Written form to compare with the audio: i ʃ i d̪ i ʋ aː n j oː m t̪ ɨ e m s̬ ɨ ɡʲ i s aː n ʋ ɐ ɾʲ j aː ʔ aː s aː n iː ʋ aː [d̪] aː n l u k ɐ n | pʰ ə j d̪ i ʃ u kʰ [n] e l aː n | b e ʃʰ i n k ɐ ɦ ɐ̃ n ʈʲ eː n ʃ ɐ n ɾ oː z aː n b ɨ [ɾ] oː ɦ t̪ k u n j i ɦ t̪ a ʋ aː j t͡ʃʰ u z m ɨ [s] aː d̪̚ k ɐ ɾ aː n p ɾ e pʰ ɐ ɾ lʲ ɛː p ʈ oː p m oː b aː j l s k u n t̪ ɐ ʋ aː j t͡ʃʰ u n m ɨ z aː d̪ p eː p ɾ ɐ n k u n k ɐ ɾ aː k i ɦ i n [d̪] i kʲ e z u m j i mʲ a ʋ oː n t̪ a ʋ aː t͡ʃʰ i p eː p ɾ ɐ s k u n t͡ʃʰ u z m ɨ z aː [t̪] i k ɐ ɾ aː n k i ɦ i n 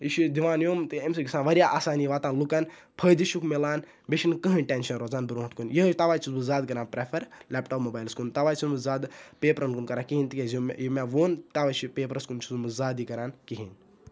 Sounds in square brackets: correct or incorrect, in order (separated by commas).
incorrect, incorrect, correct, incorrect, incorrect, incorrect